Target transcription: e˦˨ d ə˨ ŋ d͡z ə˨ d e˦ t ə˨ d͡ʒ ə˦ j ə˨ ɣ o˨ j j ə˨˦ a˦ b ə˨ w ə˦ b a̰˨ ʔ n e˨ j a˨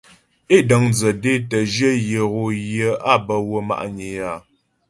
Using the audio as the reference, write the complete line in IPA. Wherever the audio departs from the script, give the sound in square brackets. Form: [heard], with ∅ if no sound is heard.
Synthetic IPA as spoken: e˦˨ d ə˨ ŋ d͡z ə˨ d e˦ t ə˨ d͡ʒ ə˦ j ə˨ ɣ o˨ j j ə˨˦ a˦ b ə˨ w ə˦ [m] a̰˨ ʔ [ɲ] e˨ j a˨